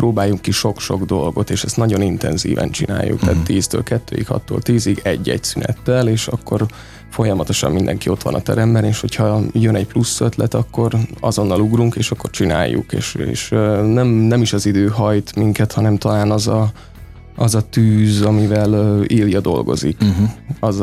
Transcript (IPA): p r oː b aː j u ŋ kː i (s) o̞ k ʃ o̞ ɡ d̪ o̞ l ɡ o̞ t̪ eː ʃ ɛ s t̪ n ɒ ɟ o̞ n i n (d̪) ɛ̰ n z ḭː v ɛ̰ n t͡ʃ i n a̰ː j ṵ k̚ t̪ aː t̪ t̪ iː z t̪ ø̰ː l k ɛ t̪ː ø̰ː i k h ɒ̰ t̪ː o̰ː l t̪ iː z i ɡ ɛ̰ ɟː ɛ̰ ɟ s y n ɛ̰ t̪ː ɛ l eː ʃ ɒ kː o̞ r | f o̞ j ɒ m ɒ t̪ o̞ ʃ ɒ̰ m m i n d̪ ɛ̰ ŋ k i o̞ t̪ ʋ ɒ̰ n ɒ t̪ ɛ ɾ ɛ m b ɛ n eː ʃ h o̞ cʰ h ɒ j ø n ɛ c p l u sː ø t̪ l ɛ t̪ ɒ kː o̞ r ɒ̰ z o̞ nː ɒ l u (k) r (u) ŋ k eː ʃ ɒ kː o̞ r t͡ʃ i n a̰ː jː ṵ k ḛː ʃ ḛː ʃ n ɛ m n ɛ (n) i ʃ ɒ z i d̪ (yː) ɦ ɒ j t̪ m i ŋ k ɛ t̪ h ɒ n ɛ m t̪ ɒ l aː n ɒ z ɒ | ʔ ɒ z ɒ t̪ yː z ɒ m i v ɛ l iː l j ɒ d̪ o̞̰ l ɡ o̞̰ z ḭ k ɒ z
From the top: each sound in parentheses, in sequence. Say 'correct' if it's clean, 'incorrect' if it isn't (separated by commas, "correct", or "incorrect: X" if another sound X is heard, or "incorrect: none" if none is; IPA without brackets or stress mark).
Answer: incorrect: ʃ, incorrect: t̪, incorrect: ɡ, correct, incorrect: m, incorrect: øː